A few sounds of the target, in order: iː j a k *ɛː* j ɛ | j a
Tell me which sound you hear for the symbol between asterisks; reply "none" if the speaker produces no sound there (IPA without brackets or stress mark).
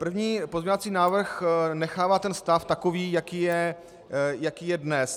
iː